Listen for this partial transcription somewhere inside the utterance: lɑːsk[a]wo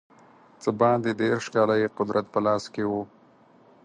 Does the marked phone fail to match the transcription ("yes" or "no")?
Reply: yes